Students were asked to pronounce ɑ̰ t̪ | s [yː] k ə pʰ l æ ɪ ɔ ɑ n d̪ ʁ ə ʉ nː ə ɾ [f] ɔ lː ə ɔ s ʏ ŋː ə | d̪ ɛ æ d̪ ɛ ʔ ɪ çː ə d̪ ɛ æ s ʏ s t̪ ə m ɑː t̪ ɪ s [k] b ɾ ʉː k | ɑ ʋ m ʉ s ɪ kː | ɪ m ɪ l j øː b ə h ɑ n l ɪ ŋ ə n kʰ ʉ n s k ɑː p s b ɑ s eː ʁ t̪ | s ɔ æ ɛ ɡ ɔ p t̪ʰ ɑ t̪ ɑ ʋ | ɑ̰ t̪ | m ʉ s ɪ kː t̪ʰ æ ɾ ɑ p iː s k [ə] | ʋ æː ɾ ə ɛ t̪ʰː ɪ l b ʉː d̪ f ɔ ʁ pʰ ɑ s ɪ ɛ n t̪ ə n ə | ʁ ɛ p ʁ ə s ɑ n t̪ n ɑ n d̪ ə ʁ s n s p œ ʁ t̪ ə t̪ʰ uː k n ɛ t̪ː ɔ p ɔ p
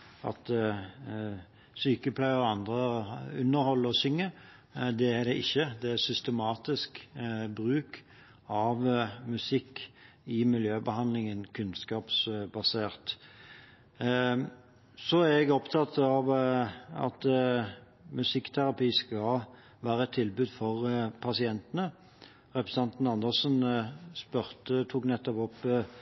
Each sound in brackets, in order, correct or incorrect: correct, incorrect: h, correct, incorrect: ɑ

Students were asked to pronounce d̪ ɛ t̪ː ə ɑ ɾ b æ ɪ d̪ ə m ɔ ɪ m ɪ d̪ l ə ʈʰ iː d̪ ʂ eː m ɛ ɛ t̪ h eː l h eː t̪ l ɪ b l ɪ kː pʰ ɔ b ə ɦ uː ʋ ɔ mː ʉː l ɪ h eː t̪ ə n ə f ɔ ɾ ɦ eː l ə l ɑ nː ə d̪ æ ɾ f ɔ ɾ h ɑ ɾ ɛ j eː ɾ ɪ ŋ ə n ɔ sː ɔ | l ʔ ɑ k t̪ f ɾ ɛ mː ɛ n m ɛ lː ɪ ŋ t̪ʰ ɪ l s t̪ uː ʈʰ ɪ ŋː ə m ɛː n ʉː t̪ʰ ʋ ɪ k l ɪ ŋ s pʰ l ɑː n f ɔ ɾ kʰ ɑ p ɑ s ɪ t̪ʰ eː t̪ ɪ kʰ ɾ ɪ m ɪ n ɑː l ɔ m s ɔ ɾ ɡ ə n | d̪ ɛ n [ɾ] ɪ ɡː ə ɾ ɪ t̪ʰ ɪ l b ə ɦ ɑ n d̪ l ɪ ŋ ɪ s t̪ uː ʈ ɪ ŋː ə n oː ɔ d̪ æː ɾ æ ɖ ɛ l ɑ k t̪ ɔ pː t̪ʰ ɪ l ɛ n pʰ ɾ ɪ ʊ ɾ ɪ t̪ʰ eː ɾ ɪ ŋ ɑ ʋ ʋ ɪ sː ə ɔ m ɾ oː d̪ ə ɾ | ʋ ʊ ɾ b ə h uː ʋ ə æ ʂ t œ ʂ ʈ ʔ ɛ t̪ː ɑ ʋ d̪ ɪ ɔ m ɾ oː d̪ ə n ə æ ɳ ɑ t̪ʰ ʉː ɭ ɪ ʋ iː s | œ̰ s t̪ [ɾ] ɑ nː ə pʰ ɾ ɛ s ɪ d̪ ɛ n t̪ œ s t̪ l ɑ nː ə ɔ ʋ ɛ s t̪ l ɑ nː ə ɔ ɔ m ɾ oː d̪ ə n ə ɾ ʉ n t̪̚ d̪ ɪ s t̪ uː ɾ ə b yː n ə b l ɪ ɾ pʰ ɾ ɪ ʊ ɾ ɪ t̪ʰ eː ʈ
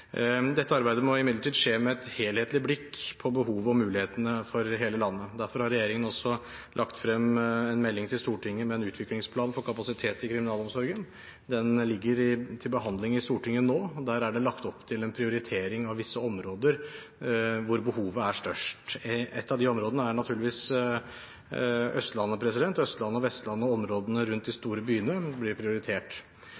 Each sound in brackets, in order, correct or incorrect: incorrect: l, incorrect: l

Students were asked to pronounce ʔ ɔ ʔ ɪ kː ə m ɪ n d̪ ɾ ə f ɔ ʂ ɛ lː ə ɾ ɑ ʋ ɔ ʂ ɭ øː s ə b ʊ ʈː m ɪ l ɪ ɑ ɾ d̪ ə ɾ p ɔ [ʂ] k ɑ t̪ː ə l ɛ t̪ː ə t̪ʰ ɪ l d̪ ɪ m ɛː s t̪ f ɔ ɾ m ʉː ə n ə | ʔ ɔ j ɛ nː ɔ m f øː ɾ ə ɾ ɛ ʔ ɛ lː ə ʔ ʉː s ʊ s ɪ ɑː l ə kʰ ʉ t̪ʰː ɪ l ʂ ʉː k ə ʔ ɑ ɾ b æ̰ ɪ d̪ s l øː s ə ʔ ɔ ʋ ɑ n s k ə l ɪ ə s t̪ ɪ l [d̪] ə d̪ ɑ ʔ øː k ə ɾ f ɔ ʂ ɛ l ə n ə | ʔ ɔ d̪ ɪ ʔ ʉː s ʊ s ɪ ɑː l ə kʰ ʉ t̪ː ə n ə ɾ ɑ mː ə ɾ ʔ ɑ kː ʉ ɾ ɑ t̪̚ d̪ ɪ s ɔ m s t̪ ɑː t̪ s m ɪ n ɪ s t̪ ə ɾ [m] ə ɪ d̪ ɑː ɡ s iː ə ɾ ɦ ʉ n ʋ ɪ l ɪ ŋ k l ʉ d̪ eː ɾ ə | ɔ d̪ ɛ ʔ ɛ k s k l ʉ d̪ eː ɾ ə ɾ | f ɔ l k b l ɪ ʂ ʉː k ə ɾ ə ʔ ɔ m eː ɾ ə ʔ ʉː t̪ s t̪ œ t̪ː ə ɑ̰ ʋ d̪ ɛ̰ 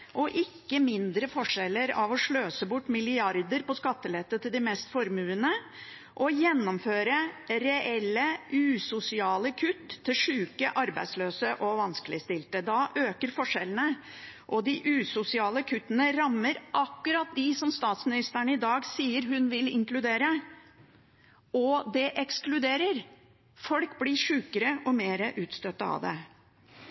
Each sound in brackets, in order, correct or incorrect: incorrect: s, incorrect: t̪, incorrect: ɳ

